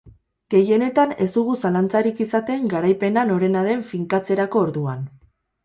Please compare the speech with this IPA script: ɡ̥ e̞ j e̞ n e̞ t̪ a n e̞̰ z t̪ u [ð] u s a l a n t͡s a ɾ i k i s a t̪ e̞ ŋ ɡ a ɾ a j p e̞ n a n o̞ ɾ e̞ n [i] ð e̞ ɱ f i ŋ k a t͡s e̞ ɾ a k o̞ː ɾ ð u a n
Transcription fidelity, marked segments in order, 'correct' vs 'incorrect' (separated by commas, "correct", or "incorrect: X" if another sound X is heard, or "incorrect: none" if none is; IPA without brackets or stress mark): incorrect: ɣ, incorrect: a